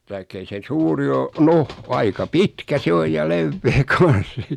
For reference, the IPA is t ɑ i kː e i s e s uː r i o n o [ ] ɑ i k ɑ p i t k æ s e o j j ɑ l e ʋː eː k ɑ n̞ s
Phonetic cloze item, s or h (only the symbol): h